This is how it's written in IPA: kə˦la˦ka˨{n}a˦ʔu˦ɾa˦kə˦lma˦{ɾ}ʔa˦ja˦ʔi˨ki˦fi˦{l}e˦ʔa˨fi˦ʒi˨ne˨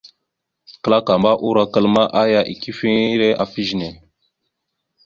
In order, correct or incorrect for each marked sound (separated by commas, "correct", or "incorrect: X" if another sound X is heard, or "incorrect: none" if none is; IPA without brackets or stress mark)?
incorrect: m, incorrect: none, incorrect: ɾ